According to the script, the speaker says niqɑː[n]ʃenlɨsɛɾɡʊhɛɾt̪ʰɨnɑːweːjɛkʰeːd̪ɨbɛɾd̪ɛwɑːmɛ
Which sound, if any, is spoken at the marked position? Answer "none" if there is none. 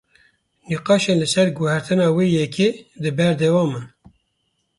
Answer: none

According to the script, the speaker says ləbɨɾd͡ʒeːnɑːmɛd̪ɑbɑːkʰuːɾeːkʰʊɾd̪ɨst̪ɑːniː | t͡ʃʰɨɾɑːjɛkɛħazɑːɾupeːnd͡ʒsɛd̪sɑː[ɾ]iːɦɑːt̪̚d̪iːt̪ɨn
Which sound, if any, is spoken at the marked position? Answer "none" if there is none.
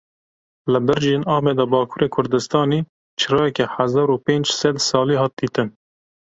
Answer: l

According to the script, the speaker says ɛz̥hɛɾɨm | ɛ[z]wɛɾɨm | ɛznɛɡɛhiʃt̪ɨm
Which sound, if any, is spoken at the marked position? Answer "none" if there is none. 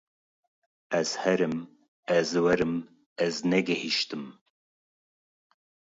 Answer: z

